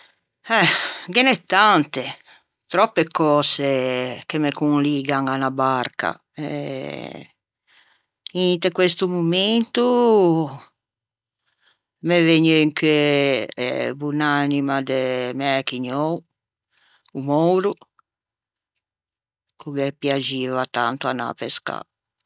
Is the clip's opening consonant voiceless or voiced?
voiced